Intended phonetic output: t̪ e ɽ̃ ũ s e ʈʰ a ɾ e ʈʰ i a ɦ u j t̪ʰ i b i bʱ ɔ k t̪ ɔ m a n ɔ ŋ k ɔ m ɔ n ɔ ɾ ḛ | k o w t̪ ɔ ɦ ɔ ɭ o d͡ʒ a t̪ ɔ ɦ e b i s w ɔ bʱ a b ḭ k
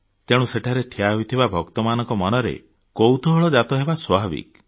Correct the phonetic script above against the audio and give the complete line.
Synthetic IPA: t̪ e ɽ̃ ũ s e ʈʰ a ɾ e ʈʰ i a ɦ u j t̪ʰ i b a bʱ ɔ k t̪ ɔ m a n ɔ ŋ k ɔ m ɔ n ɔ ɾ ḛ | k o w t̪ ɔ ɦ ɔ ɭ ɔ d͡ʒ a t̪ ɔ ɦ e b a s w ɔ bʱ a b ḭ k

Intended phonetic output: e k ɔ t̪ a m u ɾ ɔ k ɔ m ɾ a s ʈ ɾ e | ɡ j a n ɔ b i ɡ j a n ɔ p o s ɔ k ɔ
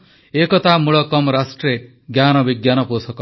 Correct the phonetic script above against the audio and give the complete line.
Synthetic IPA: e k ɔ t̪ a m u ɭ ɔ k ɔ m ɾ a s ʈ ɾ e | ɡ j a n ɔ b i ɡ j a n ɔ p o s ɔ k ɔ

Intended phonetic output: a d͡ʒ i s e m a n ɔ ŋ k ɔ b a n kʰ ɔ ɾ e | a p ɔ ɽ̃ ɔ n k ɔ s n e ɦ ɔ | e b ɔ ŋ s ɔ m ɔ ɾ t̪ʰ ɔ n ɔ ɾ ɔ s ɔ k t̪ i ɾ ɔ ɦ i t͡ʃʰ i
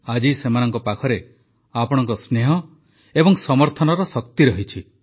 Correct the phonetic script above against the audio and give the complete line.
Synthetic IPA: a d͡ʒ i s e m a n ɔ ŋ k ɔ p a kʰ ɔ ɾ e | a p ɔ ɽ̃ ɔ ŋ k ɔ s n e ɦ ɔ | e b ɔ ŋ s ɔ m ɔ ɾ t̪ʰ ɔ n ɔ ɾ ɔ s ɔ k t̪ i ɾ ɔ ɦ i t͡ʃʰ i

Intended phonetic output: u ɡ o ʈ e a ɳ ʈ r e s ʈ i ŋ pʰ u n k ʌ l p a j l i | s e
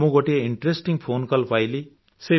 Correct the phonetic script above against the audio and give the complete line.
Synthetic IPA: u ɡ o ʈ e i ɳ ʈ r e s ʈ i ŋ pʰ o n k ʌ l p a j l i | s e

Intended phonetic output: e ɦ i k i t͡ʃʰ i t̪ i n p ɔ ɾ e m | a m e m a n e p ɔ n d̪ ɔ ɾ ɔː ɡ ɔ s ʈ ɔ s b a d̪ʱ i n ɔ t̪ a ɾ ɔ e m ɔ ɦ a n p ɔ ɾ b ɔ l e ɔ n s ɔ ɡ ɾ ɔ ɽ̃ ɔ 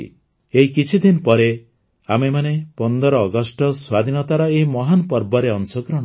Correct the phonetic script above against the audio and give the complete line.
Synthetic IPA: e ɦ i k i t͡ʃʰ i d̪ i n p ɔ ɾ e | a m e m a n e p ɔ n d̪ ɔ ɾ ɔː ɡ ɔ s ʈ ɔ s w a d̪ʱ i n ɔ t̪ a ɾ ɔ e m ɔ ɦ a n p ɔ ɾ b ɔ ɾ e ɔ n s ɔ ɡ ɾ ɔ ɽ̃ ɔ

